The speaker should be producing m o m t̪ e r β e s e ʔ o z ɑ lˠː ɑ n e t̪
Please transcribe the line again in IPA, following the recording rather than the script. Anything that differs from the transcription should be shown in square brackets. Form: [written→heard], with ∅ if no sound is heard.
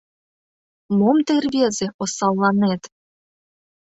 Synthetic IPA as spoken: m o m t̪ e r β e [s→z] e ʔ o [z→s] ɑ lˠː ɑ n e t̪